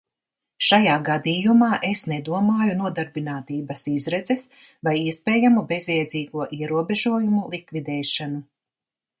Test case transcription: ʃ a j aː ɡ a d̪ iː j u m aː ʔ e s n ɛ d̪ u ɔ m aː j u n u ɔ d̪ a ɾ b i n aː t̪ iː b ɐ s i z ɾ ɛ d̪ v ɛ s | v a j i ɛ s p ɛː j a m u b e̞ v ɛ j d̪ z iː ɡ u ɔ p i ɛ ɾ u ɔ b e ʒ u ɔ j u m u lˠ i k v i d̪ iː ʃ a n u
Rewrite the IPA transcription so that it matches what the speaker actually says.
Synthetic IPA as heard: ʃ a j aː ɡ a d̪ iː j u m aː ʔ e s n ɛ d̪ u ɔ m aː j u n u ɔ d̪ a ɾ b i n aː t̪ iː b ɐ s i z ɾ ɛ d̪ z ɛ s | v a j i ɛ s p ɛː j a m u b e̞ z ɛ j d̪ z iː ɡ u ɔ ʔ i ɛ ɾ u ɔ b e ʒ u ɔ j u m u lˠ i k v i d̪ ɛː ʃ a n u